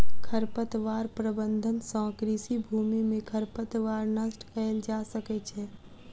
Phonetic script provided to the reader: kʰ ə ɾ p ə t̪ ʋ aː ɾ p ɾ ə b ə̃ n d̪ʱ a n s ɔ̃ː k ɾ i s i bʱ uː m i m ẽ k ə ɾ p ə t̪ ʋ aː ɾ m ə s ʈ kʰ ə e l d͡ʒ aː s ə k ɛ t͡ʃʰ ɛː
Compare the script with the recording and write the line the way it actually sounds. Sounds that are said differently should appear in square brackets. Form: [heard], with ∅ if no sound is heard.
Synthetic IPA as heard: kʰ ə ɾ p ə t̪ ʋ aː ɾ p ɾ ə b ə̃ n d̪ʱ [ə] n s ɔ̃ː k ɾ i s i bʱ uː m i m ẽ [kʰ] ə ɾ p ə t̪ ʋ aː ɾ [n] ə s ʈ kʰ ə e l d͡ʒ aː s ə k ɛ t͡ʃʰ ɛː